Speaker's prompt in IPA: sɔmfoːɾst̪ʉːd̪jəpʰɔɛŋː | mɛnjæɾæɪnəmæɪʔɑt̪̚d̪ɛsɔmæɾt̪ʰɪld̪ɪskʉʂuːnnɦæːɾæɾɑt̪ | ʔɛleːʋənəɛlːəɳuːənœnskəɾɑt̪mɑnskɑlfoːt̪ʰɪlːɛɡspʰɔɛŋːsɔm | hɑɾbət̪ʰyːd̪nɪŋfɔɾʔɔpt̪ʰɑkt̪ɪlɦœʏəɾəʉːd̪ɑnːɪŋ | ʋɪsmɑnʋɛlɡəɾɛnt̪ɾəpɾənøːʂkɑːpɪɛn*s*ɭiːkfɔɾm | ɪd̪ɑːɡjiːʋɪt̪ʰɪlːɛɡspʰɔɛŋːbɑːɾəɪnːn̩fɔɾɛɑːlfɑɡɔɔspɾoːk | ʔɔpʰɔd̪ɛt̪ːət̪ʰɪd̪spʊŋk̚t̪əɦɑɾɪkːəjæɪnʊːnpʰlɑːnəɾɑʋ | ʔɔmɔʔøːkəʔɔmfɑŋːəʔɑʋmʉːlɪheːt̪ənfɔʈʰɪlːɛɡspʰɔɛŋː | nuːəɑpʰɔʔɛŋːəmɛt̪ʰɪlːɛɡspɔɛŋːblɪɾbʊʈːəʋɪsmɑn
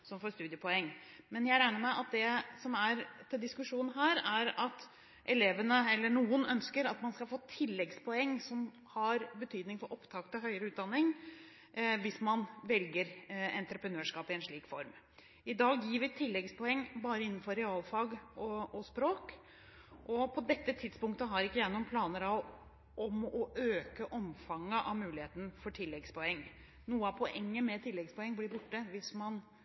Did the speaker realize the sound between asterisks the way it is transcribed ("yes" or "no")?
no